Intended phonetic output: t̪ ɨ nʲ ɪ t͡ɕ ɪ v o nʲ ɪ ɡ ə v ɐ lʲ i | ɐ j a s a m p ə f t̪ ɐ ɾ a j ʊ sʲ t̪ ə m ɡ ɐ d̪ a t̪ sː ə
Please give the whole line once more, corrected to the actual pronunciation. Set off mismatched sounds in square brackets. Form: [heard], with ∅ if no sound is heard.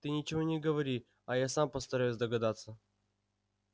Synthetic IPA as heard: t̪ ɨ nʲ ɪ t͡ɕ ɪ v o nʲ ɪ ɡ ə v ɐ [ɾʲ] i | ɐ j a s a m p ə [s] t̪ ɐ ɾ a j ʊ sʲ [d̪] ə [∅] ɡ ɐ d̪ a t̪ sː ə